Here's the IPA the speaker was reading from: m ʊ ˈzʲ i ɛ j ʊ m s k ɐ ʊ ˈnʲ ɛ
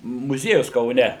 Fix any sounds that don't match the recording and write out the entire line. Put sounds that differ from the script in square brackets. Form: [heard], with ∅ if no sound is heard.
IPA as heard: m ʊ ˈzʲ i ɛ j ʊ [∅] s k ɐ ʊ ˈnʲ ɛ